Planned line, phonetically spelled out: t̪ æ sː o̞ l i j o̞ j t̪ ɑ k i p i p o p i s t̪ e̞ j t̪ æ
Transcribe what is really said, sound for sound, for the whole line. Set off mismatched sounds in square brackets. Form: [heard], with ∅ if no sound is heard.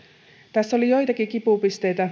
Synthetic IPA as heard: t̪ æ sː o̞ l i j o̞ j t̪ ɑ k i [k] i p [u] p i s t̪ e̞ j t̪ æ